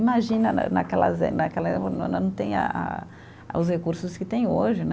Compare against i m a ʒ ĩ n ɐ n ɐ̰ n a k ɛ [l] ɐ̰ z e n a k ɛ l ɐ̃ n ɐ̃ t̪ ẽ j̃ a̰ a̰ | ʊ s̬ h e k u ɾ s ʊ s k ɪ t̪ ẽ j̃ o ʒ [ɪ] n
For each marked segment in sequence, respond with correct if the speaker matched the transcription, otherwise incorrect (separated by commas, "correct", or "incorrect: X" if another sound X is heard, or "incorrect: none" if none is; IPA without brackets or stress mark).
correct, correct